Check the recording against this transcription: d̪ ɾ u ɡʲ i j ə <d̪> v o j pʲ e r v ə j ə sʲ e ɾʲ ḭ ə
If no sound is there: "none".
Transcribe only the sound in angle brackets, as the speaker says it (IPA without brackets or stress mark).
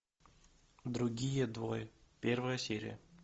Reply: d̪